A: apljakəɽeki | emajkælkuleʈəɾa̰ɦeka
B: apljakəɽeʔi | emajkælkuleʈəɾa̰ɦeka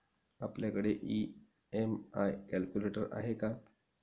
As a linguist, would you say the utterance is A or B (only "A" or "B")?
B